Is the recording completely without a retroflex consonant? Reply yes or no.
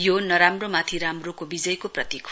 yes